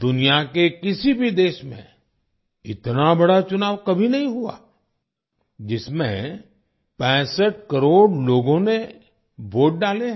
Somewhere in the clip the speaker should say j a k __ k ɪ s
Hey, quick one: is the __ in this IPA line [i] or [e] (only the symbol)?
e